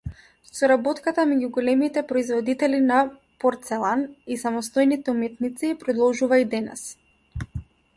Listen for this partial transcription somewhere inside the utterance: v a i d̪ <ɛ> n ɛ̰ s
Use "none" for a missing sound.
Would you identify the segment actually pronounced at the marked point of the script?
ɛ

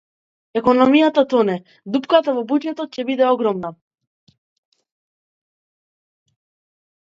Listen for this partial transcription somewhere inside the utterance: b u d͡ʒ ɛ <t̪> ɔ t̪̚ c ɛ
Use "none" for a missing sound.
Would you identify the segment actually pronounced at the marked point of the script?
t̪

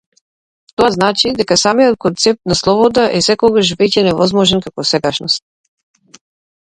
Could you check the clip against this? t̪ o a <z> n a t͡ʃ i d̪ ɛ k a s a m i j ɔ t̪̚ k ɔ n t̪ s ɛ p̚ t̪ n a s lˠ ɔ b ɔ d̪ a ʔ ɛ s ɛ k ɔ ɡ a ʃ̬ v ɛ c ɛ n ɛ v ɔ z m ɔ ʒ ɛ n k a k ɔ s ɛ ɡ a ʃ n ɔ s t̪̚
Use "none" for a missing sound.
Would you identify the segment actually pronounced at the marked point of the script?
z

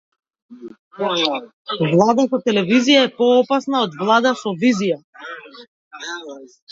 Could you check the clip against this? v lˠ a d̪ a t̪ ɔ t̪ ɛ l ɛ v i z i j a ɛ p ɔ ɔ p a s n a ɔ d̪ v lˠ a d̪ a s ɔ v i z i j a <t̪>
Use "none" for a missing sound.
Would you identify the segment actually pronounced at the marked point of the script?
none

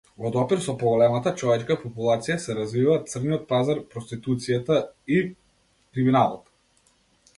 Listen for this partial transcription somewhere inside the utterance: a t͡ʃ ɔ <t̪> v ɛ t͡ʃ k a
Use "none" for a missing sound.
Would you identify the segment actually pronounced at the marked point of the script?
none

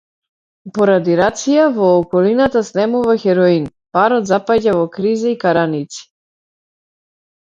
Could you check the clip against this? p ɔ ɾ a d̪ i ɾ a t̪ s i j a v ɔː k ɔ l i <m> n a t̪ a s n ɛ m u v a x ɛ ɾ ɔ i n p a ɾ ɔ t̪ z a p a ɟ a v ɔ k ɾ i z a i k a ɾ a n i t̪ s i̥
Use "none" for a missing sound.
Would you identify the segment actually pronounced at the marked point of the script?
none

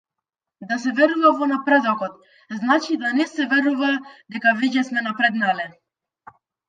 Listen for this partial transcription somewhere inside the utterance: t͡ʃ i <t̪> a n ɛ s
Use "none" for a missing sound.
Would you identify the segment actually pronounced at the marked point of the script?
d̪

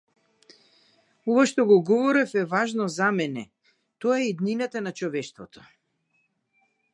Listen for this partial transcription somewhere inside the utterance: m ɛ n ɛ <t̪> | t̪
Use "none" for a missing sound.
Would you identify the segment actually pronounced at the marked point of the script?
none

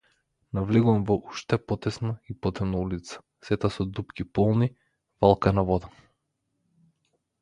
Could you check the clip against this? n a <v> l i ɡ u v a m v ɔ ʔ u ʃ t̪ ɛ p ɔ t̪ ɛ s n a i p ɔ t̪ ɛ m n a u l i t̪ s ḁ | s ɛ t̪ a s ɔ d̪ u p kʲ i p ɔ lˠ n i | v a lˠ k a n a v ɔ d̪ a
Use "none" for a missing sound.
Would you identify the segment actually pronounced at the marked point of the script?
v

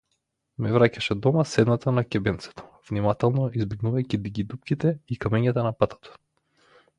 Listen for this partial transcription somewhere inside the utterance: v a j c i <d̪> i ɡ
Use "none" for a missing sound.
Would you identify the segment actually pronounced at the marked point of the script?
d̪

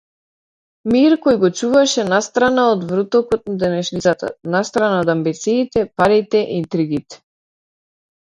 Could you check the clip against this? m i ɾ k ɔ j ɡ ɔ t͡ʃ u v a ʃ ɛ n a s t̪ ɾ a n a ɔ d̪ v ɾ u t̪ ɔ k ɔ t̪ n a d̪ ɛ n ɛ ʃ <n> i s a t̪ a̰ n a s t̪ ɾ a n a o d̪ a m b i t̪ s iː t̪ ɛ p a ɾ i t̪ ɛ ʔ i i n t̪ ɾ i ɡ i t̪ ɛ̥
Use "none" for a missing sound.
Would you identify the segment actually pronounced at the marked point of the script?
n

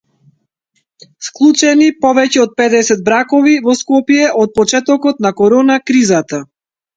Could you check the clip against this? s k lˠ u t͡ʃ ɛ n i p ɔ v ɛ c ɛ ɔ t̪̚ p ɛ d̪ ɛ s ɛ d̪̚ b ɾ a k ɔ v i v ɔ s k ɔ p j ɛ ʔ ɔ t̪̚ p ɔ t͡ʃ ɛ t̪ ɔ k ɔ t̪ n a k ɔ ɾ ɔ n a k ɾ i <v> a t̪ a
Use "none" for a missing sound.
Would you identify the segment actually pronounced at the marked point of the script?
z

